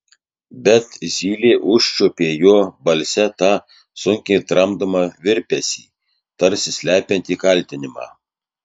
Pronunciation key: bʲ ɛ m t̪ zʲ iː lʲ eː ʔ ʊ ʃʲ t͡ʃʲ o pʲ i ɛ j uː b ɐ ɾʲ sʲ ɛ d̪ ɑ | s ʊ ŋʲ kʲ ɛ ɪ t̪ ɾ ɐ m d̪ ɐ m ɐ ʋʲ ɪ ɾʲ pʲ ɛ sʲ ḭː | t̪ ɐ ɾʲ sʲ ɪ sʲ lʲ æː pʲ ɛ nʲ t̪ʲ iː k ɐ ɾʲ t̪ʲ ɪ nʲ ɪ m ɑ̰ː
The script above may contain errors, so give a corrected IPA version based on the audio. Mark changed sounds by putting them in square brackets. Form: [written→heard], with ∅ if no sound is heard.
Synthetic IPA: bʲ ɛ [m→∅] t̪ zʲ iː lʲ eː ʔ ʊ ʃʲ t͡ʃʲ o pʲ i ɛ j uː b ɐ [ɾʲ→lʲ] sʲ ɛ [d̪→t̪] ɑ | s ʊ ŋʲ kʲ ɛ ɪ t̪ ɾ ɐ m d̪ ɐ m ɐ ʋʲ ɪ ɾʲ pʲ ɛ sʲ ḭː | t̪ ɐ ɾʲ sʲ ɪ sʲ lʲ æː pʲ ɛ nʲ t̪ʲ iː k ɐ [ɾʲ→lʲ] t̪ʲ ɪ nʲ ɪ m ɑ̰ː